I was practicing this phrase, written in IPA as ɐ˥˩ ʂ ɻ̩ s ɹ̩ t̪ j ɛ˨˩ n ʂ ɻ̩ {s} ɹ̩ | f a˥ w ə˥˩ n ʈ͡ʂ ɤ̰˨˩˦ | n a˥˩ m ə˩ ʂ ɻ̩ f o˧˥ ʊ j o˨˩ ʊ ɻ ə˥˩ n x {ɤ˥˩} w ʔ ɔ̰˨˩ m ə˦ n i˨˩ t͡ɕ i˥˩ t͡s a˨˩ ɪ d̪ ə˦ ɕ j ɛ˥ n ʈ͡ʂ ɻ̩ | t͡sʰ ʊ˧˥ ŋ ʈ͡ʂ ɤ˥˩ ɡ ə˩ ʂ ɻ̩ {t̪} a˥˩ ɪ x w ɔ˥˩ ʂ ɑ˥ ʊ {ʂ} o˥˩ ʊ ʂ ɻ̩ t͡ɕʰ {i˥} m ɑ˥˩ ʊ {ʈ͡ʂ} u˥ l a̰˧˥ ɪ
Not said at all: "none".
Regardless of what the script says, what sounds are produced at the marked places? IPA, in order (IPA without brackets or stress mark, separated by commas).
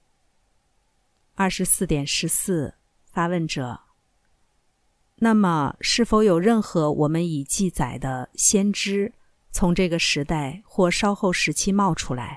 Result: s, ɤ˧˥, t̪, x, i˥, ʈ͡ʂʰ